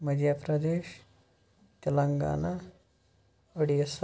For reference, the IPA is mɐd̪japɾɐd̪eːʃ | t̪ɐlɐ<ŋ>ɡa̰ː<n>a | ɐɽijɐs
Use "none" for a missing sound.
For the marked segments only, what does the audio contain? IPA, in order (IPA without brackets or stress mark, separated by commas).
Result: ŋ, n